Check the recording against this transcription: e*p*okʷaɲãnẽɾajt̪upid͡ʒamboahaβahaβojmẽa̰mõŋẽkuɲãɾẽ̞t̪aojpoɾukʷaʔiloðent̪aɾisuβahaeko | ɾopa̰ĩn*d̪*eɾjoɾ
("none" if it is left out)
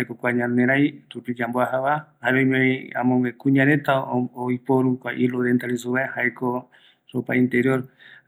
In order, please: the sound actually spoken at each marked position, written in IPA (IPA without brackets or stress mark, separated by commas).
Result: k, t̪